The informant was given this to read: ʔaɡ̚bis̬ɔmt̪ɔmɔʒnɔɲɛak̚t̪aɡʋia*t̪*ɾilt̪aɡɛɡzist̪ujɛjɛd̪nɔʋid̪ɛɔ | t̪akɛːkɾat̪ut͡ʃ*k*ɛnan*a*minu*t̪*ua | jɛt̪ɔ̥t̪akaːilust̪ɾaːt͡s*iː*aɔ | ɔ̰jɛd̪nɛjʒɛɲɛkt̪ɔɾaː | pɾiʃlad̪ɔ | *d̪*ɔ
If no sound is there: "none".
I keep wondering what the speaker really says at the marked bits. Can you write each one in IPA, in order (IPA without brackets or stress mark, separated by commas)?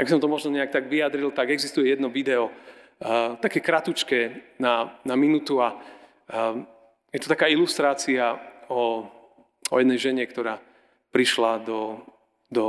d̪, k, a, t̪, i, d̪